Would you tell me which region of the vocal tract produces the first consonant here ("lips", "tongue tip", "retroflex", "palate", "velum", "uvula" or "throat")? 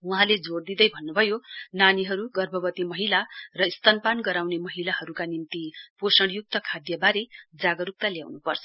throat